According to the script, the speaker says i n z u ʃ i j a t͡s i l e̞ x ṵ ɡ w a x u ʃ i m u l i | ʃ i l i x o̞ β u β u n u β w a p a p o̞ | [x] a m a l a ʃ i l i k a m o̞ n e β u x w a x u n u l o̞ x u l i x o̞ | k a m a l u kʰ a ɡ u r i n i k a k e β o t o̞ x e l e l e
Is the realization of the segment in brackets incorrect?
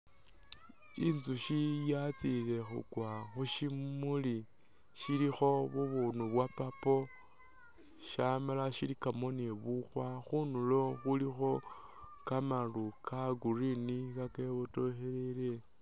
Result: yes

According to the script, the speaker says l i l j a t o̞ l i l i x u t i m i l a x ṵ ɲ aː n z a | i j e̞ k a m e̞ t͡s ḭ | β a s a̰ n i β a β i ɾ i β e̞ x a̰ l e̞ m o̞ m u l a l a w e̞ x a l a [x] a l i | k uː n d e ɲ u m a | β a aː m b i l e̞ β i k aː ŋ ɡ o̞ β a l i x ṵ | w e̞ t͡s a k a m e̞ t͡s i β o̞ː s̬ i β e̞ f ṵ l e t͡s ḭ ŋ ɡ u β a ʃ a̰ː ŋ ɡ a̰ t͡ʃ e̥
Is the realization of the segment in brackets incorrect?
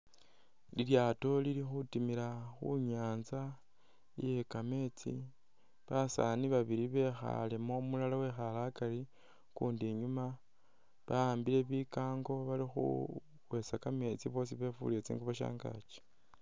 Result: yes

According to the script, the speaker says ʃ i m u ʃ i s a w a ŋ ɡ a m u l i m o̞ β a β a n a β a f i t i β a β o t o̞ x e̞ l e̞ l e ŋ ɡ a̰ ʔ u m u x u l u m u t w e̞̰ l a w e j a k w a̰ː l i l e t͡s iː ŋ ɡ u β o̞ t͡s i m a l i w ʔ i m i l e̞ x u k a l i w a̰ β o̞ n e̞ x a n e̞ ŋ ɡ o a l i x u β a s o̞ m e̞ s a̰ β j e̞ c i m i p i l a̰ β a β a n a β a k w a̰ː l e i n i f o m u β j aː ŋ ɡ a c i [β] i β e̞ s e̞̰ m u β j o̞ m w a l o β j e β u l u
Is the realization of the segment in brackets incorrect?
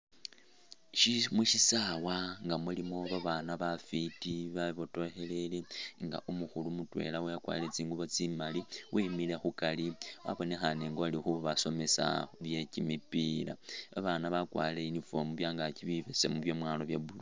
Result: no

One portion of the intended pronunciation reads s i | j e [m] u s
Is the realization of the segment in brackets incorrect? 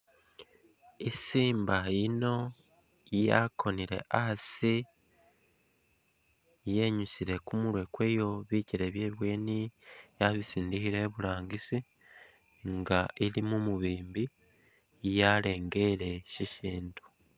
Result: yes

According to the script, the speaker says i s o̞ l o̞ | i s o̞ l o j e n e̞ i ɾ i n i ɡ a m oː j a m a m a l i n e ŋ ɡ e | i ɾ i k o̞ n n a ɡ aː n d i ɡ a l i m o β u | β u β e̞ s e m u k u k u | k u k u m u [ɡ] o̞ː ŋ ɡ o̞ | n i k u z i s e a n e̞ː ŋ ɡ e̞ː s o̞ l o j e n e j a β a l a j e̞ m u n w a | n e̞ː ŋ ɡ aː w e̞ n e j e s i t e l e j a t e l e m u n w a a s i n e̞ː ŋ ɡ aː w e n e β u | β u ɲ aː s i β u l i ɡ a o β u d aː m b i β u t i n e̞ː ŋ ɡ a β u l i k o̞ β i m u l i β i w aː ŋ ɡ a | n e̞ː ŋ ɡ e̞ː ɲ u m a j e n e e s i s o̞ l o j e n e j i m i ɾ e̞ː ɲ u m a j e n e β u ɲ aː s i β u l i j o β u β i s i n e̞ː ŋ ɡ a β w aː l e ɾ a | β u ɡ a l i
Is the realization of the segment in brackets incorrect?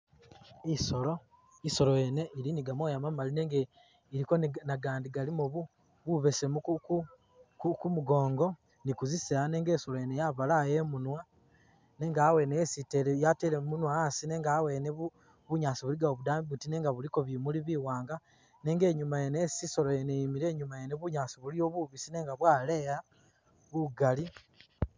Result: no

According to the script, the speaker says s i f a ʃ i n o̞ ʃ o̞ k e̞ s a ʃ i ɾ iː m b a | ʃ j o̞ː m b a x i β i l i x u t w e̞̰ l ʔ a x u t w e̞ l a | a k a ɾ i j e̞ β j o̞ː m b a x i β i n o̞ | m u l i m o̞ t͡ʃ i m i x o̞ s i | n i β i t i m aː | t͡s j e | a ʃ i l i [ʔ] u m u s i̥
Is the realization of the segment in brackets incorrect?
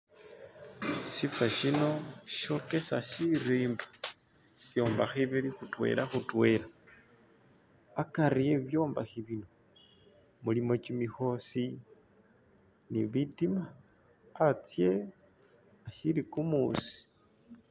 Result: yes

